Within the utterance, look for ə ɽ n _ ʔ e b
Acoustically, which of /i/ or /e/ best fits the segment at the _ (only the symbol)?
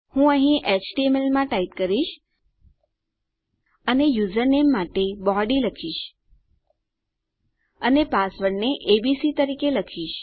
e